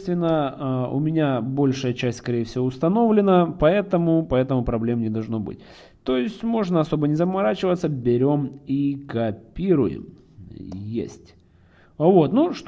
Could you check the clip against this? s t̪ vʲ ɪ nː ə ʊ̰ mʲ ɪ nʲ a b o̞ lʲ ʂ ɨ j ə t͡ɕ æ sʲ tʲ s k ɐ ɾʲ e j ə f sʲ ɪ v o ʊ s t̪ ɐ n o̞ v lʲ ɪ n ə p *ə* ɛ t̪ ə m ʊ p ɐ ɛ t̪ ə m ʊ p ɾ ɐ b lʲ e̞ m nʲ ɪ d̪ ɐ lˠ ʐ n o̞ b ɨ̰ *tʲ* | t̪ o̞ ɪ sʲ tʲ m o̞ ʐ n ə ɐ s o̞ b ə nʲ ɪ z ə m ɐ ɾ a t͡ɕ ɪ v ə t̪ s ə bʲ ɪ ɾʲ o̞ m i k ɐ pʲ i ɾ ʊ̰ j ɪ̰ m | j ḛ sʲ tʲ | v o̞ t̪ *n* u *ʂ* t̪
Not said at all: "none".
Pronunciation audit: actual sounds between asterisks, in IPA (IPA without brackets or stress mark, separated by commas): ɐ, tʲ, n, ʂ